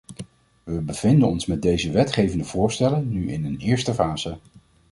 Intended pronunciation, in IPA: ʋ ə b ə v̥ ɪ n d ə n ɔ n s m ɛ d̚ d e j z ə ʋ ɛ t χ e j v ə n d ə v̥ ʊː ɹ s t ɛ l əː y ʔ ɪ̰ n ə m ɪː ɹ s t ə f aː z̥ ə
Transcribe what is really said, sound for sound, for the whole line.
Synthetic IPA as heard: ʋ ə b ə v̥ ɪ n d ə n ɔ n s m ɛ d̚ d e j z ə ʋ ɛ t χ e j v ə n d ə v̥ ʊː ɹ s t ɛ l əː y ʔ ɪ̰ n ə n ɪː ɹ s t ə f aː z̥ ə